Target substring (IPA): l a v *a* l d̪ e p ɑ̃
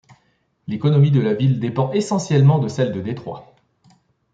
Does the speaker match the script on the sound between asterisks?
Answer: no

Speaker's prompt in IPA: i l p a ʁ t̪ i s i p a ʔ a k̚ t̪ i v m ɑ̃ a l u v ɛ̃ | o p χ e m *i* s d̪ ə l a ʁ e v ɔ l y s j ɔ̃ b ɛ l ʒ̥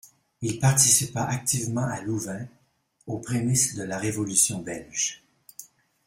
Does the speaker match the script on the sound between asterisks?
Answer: yes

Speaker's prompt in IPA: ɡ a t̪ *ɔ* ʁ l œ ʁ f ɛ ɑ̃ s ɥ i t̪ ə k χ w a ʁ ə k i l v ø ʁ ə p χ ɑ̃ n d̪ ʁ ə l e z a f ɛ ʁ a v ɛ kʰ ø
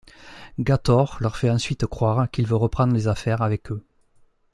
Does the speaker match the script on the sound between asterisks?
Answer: yes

